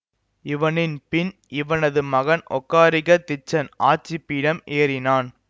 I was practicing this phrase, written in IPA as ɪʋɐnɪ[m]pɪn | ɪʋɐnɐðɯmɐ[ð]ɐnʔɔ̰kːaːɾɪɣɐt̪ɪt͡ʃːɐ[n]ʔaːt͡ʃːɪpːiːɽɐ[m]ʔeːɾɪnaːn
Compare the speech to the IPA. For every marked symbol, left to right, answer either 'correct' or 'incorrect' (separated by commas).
incorrect, incorrect, correct, correct